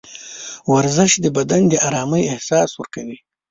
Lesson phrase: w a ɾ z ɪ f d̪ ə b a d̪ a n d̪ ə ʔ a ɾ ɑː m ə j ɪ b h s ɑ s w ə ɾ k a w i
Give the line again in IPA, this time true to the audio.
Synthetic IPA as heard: w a ɾ z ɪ ʃ d̪ ə b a d̪ a n d̪ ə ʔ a ɾ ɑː m ə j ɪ h s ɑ s w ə ɾ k a w i